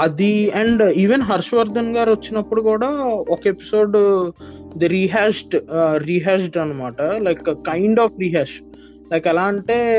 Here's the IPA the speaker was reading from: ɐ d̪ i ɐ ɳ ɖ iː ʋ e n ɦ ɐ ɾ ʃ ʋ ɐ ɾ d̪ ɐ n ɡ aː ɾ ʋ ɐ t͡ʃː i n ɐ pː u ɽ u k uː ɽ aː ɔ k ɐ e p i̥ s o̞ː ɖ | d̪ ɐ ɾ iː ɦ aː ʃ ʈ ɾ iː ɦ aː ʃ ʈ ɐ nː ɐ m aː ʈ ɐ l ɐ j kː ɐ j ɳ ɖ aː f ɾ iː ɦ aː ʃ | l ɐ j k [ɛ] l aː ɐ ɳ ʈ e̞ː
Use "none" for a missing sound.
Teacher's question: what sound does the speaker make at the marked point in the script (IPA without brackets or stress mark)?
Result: ɛ